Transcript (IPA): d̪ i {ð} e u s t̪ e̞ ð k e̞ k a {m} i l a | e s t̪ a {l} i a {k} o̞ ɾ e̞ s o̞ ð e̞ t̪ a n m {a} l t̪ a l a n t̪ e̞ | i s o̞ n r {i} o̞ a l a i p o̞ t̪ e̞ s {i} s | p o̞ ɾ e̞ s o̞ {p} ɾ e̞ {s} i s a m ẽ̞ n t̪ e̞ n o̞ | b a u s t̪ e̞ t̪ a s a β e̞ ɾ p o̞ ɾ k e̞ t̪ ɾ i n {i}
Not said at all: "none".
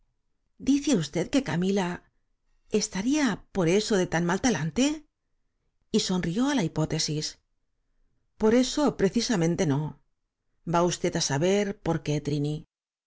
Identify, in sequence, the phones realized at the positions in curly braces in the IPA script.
θ, m, ɾ, p, a, i, i, p, θ, i

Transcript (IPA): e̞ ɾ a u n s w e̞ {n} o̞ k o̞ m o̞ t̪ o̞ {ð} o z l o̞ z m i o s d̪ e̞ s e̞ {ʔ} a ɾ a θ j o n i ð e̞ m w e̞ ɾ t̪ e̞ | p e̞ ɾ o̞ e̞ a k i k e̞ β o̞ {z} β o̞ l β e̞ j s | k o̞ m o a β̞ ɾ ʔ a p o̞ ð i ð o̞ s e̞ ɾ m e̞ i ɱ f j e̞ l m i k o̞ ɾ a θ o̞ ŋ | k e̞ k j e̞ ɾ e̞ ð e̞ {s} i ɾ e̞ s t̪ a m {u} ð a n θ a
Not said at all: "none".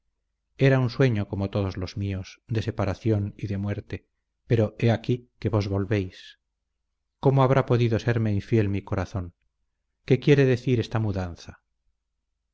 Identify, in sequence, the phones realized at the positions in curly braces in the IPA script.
ɲ, ð, p, z, θ, u

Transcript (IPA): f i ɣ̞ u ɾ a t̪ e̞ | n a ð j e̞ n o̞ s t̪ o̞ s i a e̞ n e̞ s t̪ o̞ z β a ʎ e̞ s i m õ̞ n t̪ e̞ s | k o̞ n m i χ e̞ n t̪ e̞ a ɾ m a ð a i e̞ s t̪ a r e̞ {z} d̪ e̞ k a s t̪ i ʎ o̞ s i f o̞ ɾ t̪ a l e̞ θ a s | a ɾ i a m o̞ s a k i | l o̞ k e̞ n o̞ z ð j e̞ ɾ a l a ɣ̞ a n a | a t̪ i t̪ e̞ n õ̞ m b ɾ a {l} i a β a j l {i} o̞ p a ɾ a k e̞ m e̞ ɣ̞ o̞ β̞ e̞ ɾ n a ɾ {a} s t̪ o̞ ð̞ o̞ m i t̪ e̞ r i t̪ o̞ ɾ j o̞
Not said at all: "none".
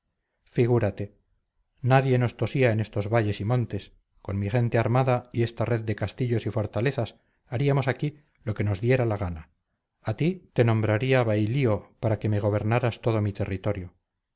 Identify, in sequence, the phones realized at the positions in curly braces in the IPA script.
ð, ɾ, i, a

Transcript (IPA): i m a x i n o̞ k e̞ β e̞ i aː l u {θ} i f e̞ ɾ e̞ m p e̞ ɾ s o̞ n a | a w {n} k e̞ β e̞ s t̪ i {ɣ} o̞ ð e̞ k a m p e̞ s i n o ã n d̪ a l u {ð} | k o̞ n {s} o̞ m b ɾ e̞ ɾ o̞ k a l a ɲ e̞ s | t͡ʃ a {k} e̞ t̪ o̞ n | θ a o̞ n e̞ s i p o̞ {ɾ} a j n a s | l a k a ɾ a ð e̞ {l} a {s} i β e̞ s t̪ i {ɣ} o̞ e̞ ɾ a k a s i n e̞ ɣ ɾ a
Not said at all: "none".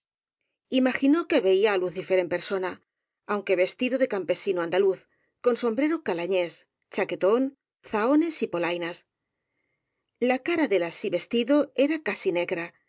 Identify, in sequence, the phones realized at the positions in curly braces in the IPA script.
θ, ŋ, ð, θ, s, k, l, l, s, ð

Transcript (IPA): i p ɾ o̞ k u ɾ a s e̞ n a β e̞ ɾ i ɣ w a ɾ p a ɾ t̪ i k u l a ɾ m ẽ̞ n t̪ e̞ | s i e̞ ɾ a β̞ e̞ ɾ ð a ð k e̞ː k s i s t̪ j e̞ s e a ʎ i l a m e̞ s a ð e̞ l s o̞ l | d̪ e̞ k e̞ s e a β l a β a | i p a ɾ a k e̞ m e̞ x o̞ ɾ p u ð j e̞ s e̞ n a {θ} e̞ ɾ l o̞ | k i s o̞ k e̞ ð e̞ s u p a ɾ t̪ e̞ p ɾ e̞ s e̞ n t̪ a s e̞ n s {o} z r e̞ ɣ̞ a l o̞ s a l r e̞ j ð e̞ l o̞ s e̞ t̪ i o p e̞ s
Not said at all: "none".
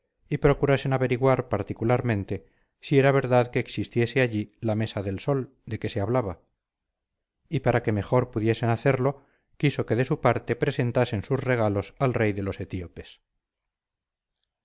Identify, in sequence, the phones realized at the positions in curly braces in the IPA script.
θ, u

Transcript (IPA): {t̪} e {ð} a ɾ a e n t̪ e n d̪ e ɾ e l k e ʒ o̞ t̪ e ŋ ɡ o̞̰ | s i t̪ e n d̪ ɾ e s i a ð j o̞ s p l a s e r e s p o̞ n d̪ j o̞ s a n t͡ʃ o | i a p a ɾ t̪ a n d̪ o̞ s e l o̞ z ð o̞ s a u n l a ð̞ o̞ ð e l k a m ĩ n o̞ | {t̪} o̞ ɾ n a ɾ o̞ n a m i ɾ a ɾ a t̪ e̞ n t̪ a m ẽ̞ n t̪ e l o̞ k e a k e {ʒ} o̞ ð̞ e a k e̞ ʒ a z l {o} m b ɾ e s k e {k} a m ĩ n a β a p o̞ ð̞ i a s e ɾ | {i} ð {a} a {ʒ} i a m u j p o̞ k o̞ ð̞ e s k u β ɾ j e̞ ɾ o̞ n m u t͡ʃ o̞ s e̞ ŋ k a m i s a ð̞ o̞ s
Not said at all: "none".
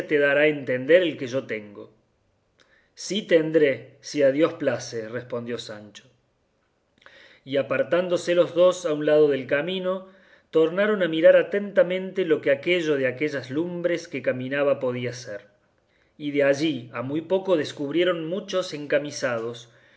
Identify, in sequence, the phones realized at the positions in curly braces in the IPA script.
t̪, ð, t̪, ʒ, u, k, i, e, ʒ

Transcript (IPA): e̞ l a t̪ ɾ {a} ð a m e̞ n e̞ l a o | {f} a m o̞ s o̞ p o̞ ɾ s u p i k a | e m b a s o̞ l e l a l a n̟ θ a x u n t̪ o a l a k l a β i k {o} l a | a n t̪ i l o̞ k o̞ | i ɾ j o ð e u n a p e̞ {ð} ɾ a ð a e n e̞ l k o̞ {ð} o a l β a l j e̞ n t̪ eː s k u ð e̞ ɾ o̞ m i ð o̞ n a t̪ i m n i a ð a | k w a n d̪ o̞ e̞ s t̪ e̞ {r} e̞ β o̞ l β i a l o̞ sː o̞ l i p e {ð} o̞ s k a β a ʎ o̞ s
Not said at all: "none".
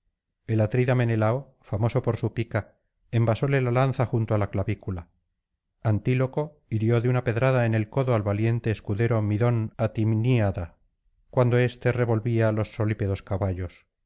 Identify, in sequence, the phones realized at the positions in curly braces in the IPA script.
i, f, u, ð, ð, r, ð

